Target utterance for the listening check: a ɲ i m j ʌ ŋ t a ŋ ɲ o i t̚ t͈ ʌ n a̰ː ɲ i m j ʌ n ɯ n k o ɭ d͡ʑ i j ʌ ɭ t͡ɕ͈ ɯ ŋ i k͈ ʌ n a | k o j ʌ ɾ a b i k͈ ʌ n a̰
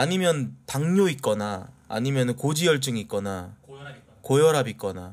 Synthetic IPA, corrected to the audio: a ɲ i m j ʌ n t a ŋ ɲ o i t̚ k͈ ʌ n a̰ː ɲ i m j ʌ n ɯ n k o d͡ʑ i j ʌ ɭ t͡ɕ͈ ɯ ŋ i k͈ ʌ n a | k o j ʌ ɾ a b i k͈ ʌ n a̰